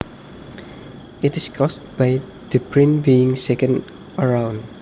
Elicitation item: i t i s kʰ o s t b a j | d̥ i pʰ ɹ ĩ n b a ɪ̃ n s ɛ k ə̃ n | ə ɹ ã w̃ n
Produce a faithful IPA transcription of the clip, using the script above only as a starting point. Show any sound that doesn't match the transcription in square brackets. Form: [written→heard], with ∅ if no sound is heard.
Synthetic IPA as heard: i t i s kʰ [o→ɔ] s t b a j | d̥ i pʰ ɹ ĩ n b [a→i] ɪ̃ [n→ŋ] s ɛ k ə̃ n | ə ɹ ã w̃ n